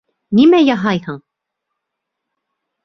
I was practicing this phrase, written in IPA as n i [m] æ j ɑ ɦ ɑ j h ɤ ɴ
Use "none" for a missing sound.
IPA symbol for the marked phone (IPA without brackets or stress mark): m